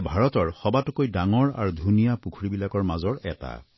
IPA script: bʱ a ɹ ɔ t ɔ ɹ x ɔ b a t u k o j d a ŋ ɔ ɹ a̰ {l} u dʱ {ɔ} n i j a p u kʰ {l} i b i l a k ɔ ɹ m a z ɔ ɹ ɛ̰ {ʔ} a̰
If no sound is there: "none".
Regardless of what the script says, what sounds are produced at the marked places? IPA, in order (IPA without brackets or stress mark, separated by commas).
ɹ, u, ɹ, t